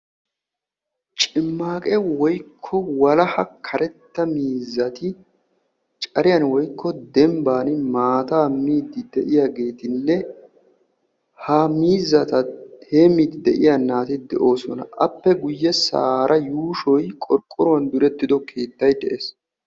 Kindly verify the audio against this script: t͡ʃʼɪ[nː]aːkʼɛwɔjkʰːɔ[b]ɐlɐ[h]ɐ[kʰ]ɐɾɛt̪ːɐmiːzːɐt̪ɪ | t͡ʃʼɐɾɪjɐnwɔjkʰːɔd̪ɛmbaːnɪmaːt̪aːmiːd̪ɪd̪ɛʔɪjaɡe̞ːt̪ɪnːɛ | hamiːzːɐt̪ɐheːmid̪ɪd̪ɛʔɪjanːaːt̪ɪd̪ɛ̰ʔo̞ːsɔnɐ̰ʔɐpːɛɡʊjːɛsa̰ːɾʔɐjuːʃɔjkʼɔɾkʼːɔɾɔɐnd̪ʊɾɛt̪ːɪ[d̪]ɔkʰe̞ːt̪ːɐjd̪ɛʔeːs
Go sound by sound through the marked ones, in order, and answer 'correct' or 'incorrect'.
incorrect: mː, incorrect: w, correct, correct, correct

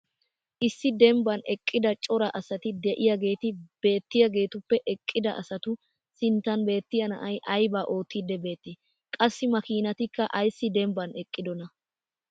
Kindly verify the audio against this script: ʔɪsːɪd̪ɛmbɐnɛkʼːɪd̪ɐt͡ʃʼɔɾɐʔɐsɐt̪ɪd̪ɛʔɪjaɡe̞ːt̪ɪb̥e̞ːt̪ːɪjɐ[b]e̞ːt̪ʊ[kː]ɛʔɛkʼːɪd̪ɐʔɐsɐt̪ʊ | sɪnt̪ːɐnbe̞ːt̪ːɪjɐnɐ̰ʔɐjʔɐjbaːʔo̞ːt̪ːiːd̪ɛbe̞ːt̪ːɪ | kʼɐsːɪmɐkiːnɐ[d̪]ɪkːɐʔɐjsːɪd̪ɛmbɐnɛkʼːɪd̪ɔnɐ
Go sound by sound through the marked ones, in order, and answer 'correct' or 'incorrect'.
incorrect: ɡ, incorrect: pː, incorrect: t̪

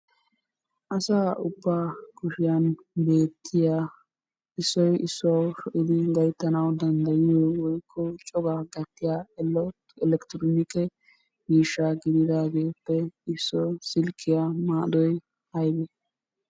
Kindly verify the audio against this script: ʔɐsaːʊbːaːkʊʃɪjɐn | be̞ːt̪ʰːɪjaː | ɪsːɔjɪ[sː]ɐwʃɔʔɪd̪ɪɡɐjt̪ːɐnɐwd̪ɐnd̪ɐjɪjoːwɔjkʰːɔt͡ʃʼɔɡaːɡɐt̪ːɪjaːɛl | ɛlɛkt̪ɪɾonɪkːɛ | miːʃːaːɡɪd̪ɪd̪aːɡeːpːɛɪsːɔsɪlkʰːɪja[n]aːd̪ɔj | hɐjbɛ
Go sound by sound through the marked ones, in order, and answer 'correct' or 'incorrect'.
correct, incorrect: m

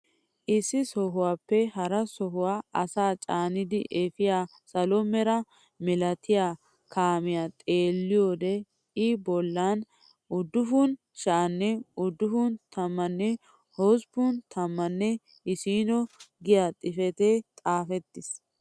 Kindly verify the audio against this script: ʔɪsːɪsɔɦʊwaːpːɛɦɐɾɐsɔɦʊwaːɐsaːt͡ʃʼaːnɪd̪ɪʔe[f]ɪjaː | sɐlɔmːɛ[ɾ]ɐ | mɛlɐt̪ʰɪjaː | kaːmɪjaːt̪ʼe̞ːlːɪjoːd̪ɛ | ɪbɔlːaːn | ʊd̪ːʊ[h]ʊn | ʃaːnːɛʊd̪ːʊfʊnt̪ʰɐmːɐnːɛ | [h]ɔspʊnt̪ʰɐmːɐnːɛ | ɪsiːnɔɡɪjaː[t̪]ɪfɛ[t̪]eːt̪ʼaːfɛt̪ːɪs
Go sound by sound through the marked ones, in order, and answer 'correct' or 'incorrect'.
correct, correct, incorrect: f, correct, incorrect: t̪ʼ, correct

